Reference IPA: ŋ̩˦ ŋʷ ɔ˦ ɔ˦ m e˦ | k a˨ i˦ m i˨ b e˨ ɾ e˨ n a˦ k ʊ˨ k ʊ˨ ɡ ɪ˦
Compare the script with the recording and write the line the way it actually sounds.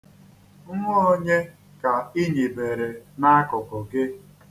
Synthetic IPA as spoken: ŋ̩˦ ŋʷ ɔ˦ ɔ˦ ɲ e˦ | k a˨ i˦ ɲ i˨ b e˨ ɾ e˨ n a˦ k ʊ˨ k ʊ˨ ɡ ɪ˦